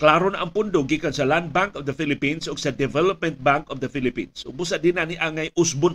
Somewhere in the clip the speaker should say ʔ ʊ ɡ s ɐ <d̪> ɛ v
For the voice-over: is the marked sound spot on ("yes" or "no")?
yes